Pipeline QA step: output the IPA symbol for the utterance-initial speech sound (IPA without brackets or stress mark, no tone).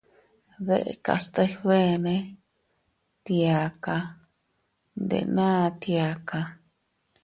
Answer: ð